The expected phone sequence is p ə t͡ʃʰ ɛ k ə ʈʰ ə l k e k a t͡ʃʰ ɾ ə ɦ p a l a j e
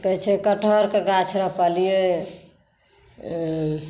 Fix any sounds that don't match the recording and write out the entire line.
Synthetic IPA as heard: k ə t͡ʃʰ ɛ k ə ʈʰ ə ɾ k e ɡ a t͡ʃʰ ɾ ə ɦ p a l i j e